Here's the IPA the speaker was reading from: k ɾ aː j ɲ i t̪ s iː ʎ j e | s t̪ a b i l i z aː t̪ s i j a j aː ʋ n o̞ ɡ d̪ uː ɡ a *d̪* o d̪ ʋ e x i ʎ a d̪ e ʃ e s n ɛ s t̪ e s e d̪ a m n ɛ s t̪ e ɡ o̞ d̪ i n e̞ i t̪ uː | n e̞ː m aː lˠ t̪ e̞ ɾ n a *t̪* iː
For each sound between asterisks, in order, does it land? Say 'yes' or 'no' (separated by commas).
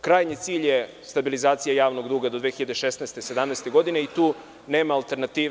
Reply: yes, yes